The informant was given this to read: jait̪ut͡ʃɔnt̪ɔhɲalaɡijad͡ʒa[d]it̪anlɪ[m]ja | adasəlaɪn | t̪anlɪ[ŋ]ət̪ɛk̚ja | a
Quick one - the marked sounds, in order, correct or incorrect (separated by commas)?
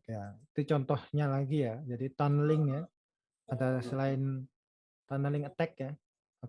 correct, incorrect, correct